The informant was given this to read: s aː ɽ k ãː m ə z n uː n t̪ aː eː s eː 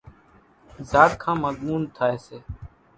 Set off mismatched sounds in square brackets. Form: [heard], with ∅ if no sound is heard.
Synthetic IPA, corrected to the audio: [z] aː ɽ [kʰ] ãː m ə z [m] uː n [t̪ʰ] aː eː s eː